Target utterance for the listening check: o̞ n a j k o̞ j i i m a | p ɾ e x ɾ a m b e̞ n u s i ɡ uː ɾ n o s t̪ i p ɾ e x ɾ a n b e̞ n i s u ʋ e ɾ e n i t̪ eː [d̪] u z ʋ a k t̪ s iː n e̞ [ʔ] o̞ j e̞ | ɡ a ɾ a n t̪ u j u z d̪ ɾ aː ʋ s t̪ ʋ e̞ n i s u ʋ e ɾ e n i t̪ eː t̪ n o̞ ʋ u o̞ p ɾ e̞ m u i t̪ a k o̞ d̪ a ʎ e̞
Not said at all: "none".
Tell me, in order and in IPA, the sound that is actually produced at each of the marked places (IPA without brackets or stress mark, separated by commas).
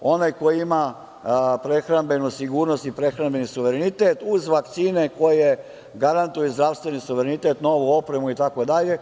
t̪, k